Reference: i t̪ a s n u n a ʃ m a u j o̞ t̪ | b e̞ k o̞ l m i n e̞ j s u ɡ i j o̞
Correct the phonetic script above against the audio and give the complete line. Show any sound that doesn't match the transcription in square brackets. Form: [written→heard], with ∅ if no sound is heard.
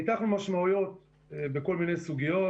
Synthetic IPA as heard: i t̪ a [s→χ] n u [n→m] a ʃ m a u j o̞ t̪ | b e̞ k o̞ l m i n e̞ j s u ɡ i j o̞